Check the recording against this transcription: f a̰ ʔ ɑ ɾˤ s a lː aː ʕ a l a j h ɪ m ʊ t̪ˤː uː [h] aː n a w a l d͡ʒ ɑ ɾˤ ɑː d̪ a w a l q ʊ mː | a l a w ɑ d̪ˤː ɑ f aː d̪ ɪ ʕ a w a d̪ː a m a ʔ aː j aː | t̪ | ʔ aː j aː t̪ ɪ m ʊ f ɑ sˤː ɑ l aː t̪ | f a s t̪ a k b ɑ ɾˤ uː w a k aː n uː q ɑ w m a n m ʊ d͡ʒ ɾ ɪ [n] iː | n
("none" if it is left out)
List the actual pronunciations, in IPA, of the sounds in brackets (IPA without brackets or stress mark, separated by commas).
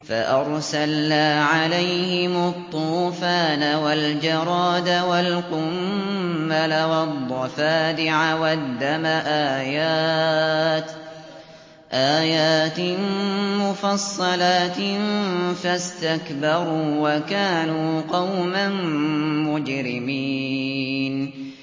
f, m